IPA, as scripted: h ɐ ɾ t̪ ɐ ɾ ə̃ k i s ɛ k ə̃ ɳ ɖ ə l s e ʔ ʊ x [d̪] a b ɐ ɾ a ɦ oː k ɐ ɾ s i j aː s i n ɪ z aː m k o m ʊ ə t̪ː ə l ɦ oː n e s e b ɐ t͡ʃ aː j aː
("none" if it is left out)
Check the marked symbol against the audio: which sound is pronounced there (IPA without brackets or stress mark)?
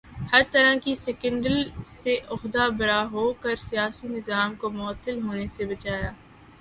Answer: d̪